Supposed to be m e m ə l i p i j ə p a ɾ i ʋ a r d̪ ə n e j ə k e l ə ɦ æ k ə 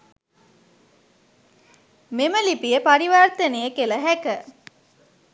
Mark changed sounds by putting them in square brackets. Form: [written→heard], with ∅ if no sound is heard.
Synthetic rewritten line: m e m ə l i p i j ə p a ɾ i ʋ a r [d̪→t̪] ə n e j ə k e l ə ɦ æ k ə

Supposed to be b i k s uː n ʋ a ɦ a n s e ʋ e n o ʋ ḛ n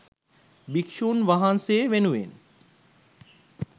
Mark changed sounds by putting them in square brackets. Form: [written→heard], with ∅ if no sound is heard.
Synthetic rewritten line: b i k [s→ʃ] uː n ʋ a ɦ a n s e ʋ e n [o→u] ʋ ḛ n

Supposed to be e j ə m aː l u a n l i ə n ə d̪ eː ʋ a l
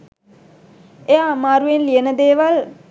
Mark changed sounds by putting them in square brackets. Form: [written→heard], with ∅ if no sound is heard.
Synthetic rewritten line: e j [ə→a] m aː [l→ɾ] u [a→e] n l i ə n ə d̪ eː ʋ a l

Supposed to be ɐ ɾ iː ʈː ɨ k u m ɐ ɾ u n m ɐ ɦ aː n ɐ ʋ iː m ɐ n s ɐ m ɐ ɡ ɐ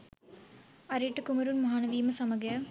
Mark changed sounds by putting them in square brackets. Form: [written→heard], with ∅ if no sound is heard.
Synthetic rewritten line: ɐ ɾ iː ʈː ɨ k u m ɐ ɾ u n m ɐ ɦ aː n ɐ ʋ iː m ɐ [n→∅] s ɐ m ɐ ɡ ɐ

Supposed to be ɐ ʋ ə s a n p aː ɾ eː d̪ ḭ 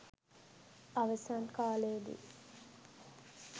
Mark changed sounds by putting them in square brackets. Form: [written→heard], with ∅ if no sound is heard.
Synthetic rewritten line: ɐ ʋ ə s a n [p→k] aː [ɾ→l] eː d̪ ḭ

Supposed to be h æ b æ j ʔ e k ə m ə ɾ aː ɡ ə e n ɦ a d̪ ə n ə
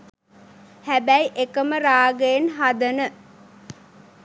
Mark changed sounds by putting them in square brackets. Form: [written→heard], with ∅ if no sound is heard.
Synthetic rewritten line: h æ b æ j ʔ e k ə m ə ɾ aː ɡ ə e n ɦ a d̪ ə n ə

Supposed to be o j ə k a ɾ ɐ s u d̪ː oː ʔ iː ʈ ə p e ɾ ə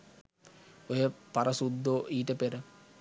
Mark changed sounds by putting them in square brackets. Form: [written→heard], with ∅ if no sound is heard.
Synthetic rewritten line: o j ə [k→p] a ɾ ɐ s u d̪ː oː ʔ iː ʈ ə p e ɾ ə

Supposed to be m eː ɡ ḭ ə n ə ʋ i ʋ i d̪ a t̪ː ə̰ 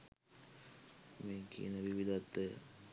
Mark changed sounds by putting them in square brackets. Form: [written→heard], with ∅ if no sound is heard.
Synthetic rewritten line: m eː [ɡ→k] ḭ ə n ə ʋ i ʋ i d̪ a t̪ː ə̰

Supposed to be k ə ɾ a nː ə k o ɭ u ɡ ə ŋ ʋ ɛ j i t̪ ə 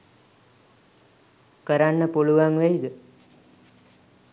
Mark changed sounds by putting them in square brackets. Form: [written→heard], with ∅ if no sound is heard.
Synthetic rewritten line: k ə ɾ a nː ə [k→p] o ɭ u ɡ [ə→a] ŋ ʋ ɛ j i [t̪→d̪] ə

